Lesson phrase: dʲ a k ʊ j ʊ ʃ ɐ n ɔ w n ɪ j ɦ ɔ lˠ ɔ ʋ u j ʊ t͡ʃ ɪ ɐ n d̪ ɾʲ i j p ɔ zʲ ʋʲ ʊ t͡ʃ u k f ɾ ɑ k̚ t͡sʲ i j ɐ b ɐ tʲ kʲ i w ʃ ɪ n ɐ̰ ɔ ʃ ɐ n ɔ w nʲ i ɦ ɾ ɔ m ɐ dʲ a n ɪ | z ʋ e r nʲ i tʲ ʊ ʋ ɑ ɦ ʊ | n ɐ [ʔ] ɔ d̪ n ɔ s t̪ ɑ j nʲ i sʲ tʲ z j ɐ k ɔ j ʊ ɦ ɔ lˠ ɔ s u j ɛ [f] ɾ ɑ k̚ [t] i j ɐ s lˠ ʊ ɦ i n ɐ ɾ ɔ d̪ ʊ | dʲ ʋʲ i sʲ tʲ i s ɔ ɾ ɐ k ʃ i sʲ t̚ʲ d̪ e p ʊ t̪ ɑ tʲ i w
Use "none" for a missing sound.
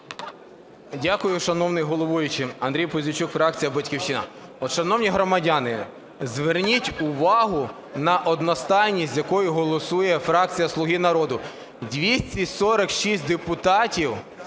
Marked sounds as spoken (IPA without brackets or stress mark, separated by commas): ʔ, f, t͡sʲ